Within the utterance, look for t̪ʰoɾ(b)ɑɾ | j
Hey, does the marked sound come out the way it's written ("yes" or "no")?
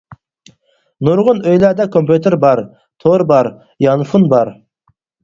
yes